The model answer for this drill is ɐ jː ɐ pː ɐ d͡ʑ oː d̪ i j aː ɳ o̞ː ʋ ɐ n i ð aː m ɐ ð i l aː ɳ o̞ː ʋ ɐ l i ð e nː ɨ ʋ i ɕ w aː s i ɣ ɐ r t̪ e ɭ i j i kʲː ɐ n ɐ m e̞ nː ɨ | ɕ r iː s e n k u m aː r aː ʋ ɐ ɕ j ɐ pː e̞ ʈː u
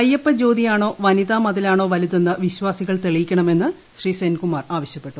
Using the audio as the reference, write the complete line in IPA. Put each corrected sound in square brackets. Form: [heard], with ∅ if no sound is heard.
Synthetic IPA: ɐ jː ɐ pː ɐ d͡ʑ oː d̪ i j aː ɳ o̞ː ʋ ɐ n i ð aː m ɐ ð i l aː ɳ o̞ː ʋ ɐ l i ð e nː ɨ ʋ i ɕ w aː s i ɣ ɐ [ɭ] t̪ e ɭ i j i kʲː ɐ [ɳ] ɐ m e̞ nː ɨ | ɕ r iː s e n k u m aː r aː ʋ ɐ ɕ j ɐ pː e̞ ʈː u